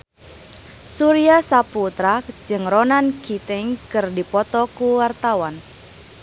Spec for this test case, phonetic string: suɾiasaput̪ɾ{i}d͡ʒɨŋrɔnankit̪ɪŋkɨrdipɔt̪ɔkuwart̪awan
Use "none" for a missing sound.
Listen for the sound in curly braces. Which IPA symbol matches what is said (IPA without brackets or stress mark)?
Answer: a